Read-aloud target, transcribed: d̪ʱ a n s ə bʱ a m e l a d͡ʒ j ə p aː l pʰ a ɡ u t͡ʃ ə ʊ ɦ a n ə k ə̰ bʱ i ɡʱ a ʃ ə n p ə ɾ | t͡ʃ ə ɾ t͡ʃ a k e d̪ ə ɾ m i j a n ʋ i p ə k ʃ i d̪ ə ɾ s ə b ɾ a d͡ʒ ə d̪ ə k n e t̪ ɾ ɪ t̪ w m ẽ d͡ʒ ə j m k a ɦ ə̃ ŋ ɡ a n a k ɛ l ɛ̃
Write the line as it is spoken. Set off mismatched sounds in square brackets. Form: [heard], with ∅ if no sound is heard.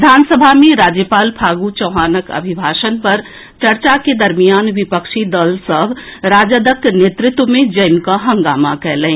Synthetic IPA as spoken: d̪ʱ a n s ə bʱ a m e [ɾ] a d͡ʒ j ə p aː l pʰ a ɡ u t͡ʃ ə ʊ ɦ a n ə k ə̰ bʱ i [bʱ] a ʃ ə n p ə ɾ | t͡ʃ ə ɾ t͡ʃ a k e d̪ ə ɾ m i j a n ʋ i p ə k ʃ i d̪ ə [l] s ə b ɾ a d͡ʒ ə d̪ ə k n e t̪ ɾ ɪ t̪ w m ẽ d͡ʒ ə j m k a ɦ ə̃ ŋ ɡ a [m] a k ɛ l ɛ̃